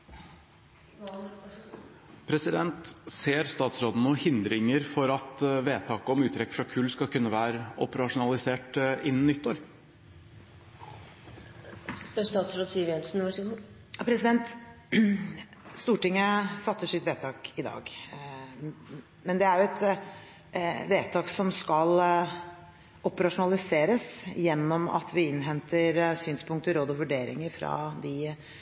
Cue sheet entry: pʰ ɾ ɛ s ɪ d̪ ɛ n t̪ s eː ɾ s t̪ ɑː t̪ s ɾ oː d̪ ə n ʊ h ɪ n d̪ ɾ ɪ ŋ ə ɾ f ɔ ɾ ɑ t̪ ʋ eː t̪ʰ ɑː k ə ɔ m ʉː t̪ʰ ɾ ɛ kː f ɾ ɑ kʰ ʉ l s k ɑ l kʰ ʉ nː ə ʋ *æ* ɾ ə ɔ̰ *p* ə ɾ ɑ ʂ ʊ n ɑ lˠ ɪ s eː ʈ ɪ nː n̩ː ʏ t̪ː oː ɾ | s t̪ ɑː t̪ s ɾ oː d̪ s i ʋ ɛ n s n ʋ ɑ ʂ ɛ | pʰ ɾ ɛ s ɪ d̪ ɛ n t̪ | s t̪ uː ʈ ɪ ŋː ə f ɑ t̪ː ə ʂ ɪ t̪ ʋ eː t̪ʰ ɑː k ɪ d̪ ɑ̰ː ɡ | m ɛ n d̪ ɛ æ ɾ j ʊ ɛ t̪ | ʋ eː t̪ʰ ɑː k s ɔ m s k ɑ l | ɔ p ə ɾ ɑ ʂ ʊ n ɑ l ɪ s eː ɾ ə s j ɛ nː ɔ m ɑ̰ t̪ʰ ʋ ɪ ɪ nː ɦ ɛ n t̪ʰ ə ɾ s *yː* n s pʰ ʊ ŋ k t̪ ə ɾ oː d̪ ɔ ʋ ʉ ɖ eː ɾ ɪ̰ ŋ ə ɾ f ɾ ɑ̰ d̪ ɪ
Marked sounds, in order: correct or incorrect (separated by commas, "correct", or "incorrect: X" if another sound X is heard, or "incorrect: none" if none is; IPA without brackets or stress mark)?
incorrect: æː, correct, correct